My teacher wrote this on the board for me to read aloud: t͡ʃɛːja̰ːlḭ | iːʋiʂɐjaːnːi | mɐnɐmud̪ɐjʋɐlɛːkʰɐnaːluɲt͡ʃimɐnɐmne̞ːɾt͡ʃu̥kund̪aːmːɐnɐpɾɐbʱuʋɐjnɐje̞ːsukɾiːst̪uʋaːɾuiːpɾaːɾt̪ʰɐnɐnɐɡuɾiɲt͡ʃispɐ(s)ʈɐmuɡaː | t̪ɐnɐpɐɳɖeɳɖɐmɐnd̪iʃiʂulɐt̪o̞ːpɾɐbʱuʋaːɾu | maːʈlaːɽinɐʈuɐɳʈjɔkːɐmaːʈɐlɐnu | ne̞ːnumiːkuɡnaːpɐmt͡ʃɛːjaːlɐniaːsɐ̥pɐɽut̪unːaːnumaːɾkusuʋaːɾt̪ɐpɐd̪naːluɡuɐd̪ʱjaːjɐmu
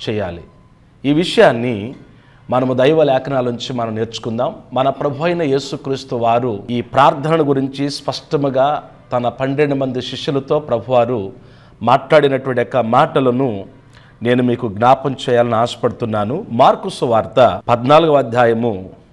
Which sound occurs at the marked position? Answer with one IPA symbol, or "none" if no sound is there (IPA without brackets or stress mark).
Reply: ʂ